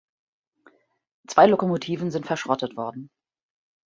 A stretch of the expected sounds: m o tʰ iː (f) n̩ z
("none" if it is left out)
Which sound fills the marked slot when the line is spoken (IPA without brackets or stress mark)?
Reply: v